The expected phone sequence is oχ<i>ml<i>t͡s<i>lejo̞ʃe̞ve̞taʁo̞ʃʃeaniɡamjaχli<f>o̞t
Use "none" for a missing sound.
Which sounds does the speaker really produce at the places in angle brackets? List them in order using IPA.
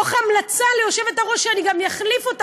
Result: a, a, a, f

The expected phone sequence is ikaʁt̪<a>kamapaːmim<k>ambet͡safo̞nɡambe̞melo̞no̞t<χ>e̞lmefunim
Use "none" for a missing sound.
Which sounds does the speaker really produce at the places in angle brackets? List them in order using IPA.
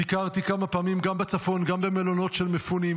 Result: i, ɡ, ʃ

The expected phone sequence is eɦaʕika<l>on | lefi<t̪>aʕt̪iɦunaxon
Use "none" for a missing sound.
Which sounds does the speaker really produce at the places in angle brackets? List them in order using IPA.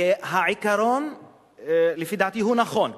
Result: ɾ, d̪

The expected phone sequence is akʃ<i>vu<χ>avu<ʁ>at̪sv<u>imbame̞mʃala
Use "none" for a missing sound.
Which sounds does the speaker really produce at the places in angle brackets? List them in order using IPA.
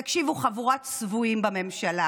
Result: i, χ, ʁ, u

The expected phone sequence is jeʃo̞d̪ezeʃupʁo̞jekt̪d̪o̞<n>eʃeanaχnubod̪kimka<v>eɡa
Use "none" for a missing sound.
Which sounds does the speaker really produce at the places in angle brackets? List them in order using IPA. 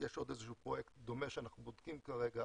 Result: m, ʁ

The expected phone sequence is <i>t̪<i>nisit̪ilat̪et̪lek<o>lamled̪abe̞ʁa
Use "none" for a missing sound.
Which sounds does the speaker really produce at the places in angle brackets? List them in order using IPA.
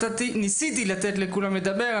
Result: a, i, u

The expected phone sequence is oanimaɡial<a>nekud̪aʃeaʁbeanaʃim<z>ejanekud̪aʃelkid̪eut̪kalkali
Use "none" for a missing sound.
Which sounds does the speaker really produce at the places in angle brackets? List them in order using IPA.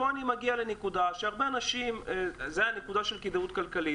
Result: e, z

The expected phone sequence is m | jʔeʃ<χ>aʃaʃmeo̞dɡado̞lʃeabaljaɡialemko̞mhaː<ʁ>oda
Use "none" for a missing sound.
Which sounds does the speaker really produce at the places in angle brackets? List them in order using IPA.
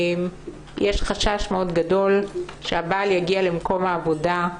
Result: χ, v

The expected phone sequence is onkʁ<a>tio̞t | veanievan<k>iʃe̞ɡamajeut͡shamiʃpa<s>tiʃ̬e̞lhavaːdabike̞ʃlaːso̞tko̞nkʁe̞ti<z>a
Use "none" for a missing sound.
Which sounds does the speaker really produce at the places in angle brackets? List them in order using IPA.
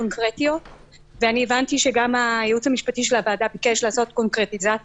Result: e, t, none, z

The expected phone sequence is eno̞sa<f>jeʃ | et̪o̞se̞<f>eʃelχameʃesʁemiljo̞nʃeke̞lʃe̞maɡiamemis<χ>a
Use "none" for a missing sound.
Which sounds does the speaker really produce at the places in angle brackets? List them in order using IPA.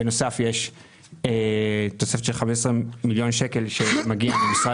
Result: f, f, ʁ

